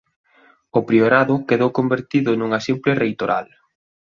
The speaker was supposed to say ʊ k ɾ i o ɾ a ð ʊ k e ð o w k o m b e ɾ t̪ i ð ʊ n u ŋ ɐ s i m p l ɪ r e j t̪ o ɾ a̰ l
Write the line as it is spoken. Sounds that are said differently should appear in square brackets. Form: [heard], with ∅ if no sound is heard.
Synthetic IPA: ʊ [p] ɾ i o ɾ a ð ʊ k e ð o w k o m b e ɾ t̪ i ð ʊ n u ŋ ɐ s i m p l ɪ r e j t̪ o ɾ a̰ l